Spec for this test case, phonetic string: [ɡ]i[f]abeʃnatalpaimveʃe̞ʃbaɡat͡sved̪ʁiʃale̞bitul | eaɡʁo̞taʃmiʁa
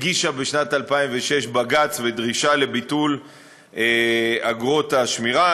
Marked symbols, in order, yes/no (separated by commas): yes, no